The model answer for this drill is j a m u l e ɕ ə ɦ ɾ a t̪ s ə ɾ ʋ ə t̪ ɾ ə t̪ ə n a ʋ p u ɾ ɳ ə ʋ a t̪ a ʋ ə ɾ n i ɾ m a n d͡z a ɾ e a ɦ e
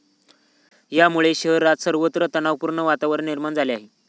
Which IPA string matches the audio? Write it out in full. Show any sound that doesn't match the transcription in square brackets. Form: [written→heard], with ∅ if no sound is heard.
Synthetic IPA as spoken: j a m u [l→ɭ] e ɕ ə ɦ ɾ a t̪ s ə ɾ ʋ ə t̪ ɾ ə t̪ ə n a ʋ p u ɾ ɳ ə ʋ a t̪ a ʋ ə ɾ n i ɾ m a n d͡z a [ɾ→l] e a ɦ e